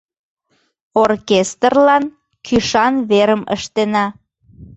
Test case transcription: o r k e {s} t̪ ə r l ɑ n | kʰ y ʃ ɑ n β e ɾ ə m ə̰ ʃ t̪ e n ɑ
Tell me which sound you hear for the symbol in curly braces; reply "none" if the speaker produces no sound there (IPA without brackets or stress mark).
s